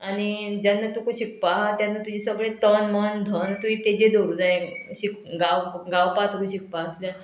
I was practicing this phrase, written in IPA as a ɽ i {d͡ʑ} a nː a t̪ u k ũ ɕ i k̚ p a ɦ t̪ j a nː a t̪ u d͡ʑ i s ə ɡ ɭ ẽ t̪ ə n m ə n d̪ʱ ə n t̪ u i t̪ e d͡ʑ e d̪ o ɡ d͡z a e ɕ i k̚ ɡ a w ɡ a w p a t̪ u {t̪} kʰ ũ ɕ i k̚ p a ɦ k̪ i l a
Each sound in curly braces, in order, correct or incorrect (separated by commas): correct, incorrect